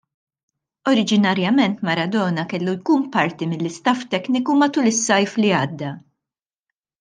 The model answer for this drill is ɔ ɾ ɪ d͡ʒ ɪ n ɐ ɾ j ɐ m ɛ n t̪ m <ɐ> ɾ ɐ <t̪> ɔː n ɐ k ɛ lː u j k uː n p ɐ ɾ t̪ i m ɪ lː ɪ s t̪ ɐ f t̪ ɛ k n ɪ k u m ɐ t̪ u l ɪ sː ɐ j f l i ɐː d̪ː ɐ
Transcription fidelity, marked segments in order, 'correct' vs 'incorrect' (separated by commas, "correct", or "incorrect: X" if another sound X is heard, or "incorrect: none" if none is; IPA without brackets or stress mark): correct, incorrect: d̪